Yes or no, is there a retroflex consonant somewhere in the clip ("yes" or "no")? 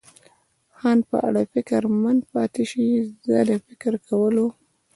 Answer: yes